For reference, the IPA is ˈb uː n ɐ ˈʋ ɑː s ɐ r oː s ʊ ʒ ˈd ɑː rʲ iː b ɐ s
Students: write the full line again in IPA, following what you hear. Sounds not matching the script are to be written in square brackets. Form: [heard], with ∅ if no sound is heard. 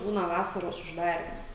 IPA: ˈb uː n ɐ ˈʋ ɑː s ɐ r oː s ʊ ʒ ˈd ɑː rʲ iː [m] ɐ s